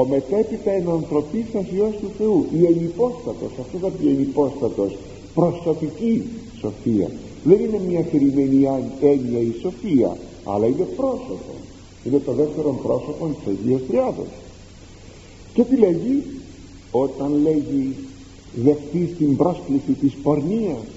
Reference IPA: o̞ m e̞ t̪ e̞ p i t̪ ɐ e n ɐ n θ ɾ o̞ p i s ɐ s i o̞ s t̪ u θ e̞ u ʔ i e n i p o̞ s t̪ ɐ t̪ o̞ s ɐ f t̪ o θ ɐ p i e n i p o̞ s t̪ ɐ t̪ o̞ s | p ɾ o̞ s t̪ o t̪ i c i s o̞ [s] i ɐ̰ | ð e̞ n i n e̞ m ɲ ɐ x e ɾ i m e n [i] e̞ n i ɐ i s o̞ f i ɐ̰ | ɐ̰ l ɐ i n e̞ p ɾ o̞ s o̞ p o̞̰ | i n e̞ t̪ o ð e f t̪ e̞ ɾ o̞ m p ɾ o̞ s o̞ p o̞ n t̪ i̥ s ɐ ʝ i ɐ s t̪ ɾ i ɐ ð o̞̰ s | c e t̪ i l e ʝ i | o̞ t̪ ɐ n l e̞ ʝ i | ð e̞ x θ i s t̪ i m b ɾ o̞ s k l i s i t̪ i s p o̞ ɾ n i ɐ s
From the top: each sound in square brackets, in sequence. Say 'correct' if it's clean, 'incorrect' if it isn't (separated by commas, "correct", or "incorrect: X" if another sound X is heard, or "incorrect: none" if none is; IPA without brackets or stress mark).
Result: incorrect: f, correct